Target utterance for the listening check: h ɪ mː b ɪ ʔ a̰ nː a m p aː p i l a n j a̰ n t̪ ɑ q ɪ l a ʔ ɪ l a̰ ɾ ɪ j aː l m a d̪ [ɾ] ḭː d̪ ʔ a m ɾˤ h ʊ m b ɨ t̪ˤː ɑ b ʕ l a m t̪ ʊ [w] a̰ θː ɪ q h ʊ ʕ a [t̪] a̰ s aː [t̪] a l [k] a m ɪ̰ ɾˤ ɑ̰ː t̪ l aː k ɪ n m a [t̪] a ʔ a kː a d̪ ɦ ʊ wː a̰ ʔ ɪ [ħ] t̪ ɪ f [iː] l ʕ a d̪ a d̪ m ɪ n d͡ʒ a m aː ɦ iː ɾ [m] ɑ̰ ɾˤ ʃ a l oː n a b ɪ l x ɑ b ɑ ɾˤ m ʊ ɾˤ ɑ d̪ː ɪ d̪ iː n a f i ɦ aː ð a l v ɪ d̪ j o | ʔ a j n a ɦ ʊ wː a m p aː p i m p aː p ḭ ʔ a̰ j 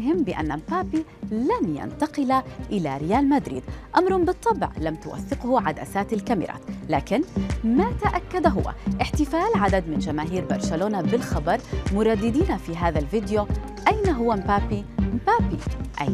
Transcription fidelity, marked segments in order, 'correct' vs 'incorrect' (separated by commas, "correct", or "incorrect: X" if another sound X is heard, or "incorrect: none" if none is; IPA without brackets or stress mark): correct, correct, incorrect: d̪, correct, correct, correct, correct, incorrect: aː, incorrect: b